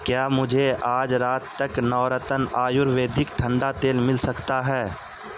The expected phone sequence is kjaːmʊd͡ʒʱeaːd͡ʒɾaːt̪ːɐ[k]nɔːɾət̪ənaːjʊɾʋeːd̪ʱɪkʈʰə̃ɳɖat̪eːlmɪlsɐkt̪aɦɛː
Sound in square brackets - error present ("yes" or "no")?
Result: no